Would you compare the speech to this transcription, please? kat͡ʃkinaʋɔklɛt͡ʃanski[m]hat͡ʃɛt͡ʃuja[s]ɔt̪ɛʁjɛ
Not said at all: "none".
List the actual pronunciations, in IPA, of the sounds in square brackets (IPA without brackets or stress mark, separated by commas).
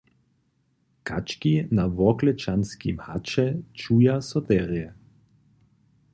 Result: m, s